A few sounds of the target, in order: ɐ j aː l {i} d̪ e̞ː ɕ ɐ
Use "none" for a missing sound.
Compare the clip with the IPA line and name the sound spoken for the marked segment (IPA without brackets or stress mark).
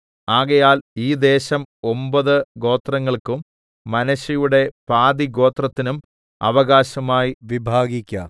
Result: iː